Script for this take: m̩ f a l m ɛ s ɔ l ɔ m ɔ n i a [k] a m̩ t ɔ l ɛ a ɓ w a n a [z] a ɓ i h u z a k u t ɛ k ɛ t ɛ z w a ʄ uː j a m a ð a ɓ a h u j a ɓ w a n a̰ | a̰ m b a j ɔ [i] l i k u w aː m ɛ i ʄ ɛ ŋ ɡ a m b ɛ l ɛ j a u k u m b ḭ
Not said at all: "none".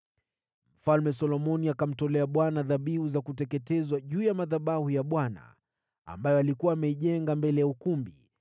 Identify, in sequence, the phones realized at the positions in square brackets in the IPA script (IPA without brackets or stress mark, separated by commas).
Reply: k, ð, a